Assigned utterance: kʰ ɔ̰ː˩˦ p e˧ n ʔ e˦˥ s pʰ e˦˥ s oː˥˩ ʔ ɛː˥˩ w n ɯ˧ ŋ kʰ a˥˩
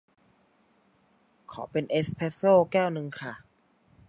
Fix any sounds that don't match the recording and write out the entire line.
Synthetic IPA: kʰ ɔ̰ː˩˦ p e˧ n ʔ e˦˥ s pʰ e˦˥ s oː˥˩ k ɛː˥˩ w n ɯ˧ ŋ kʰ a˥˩